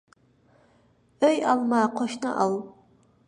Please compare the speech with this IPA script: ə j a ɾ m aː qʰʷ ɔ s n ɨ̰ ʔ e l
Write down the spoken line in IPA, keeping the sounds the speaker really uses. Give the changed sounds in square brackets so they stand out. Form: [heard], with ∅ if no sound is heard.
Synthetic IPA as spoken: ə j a [l] m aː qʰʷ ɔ [ʃ] n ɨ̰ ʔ [a] l